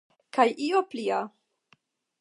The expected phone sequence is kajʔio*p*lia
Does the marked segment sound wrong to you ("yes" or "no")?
no